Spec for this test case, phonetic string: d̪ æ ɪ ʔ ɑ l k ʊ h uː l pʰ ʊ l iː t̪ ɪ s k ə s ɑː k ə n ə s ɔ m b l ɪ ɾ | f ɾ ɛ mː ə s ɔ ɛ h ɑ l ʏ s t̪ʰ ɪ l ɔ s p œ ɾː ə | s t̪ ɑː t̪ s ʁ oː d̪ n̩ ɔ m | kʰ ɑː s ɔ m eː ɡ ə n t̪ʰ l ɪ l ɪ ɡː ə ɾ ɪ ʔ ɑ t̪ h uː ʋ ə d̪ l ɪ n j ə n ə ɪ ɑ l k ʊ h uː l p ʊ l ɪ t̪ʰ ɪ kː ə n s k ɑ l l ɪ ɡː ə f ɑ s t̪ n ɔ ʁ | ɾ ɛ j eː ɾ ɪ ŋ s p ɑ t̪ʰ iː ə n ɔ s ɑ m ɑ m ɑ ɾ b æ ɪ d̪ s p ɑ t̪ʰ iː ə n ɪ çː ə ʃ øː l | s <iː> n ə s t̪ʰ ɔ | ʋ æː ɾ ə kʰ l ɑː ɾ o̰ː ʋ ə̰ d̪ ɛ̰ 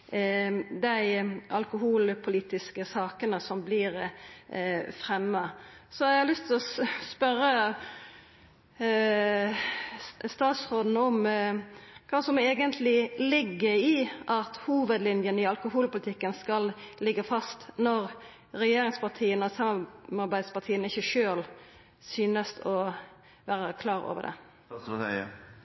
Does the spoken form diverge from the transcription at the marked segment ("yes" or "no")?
yes